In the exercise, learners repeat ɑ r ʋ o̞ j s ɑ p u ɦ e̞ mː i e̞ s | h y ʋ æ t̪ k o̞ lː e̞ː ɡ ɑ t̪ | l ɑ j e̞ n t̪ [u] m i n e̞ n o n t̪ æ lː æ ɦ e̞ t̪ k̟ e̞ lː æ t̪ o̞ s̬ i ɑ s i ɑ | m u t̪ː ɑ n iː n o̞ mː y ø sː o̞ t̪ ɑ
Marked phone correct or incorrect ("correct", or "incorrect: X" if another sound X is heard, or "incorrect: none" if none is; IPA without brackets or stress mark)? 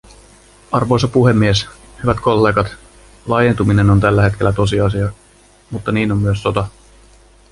correct